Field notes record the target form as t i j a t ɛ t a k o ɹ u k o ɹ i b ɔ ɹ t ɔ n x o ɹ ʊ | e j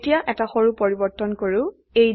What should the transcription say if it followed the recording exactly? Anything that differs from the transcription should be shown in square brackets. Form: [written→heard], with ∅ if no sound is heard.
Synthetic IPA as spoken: t i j a [t→ʔ] ɛ t a [k→x] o ɹ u [k→p] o ɹ i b ɔ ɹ t ɔ n [x→k] o ɹ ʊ | e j